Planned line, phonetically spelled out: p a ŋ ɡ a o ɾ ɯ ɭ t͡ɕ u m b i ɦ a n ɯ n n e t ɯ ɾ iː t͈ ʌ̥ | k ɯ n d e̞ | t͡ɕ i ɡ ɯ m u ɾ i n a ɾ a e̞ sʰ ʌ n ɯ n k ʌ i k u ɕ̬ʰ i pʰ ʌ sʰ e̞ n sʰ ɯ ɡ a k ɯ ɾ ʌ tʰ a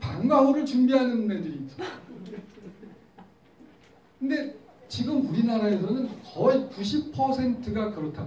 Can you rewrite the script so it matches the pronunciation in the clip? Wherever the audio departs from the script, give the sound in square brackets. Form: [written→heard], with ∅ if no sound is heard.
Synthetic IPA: p a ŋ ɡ a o ɾ ɯ ɭ t͡ɕ u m b i ɦ a n ɯ n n e [t→d] ɯ ɾ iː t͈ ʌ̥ | k ɯ n d e̞ | t͡ɕ i ɡ ɯ m u ɾ i n a ɾ a e̞ sʰ ʌ n ɯ n k ʌ i k u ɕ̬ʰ i pʰ ʌ sʰ e̞ n [sʰ→tʰ] ɯ ɡ a k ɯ ɾ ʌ tʰ a